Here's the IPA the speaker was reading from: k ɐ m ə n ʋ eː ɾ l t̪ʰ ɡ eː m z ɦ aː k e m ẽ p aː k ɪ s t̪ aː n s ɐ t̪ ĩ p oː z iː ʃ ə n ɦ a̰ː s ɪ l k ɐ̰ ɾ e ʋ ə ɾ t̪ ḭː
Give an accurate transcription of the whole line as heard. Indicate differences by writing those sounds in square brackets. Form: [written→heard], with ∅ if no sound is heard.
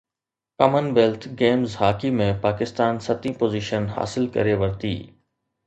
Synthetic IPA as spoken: k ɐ m ə n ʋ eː [ɾ→∅] l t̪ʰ ɡ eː m z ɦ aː k [e→i] m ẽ p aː k ɪ s t̪ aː n s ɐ t̪ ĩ p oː z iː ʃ ə n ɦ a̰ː s ɪ l k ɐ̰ ɾ e ʋ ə ɾ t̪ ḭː